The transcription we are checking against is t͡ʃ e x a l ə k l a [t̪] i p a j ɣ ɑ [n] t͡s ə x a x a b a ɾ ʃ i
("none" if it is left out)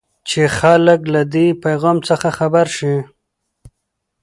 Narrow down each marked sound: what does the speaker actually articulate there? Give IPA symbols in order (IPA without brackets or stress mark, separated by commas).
d̪, m